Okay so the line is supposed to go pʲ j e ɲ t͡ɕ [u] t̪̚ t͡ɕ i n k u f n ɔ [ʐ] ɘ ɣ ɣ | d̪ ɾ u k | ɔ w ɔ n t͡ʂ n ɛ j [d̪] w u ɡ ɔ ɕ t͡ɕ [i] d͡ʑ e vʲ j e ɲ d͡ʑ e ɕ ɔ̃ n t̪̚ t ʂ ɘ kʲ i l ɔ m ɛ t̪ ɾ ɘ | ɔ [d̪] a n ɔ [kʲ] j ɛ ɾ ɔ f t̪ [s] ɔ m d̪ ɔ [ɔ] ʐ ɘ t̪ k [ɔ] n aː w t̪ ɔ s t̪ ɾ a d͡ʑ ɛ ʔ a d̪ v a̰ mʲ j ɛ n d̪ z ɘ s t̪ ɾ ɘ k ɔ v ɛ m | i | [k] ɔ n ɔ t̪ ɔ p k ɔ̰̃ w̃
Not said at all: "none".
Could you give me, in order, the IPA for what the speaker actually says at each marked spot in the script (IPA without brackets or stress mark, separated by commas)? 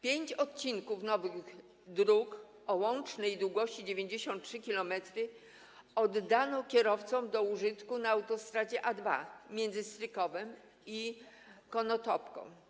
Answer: ɔ, v, d̪, i, d̪ː, kʲ, s, u, u, k